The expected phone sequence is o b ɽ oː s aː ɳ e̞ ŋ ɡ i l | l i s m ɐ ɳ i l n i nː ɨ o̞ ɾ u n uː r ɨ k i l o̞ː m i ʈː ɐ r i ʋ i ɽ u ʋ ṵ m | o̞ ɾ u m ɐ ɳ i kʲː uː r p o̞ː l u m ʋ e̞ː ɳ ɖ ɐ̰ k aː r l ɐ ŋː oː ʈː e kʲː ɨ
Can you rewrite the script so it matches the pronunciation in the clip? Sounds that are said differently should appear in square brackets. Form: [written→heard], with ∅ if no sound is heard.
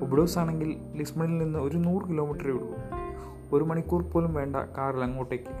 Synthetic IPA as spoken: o b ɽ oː s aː ɳ e̞ ŋ ɡ i l | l i s m ɐ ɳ i l n i nː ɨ o̞ ɾ u n uː r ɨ k i l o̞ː m i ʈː ɐ r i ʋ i ɽ u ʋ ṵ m | o̞ ɾ u m ɐ ɳ i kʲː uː r p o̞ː l u m ʋ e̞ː ɳ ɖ ɐ̰ k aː r l ɐ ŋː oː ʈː e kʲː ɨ